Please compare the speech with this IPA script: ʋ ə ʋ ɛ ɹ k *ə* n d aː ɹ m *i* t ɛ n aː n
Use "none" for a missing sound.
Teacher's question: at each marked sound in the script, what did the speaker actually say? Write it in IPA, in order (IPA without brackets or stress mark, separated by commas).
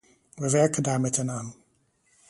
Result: ə, ɛ